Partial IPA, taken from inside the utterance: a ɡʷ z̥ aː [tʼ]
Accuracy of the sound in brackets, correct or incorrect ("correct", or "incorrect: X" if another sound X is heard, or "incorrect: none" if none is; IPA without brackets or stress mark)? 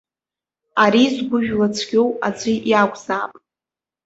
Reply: incorrect: pʼ